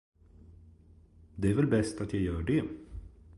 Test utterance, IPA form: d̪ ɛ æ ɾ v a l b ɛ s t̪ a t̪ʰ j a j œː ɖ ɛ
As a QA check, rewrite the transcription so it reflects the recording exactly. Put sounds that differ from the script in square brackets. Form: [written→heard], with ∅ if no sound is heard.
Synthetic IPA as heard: d̪ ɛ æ ɾ v [a→ɛ] l b ɛ s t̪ a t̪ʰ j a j œː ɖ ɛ